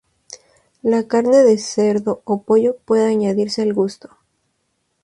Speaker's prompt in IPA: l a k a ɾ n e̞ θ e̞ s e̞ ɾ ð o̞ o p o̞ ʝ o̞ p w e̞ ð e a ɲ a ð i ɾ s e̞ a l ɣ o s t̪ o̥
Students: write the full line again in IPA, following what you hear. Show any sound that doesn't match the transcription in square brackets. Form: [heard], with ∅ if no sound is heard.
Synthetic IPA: l a k a ɾ n e̞ [ð] e̞ s e̞ ɾ ð o̞ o p o̞ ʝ o̞ p w e̞ ð e a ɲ a ð i ɾ s e̞ a l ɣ [u] s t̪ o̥